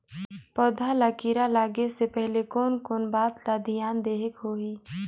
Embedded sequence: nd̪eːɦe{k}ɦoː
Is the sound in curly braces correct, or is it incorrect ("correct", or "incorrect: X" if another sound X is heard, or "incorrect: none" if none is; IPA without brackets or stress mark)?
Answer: correct